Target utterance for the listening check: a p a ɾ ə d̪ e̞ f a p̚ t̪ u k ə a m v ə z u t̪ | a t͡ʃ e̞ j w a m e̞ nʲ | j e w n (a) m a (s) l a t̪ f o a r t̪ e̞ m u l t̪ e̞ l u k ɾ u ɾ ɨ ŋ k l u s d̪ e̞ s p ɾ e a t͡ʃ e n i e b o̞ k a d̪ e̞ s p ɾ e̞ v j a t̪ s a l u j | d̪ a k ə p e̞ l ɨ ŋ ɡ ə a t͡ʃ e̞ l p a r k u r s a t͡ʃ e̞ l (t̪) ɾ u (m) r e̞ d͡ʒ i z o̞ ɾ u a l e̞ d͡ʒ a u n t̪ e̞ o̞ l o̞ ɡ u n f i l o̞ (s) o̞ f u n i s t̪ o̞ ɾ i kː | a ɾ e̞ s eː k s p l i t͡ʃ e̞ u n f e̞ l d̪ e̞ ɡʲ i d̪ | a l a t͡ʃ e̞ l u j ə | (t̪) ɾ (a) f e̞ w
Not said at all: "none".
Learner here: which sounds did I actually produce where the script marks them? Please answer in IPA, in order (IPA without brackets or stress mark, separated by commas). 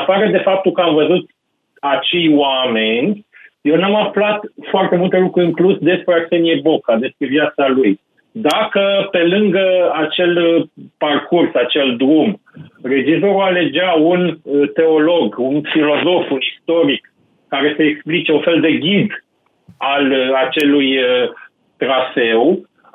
a, f, d̪, m, z, t̪, a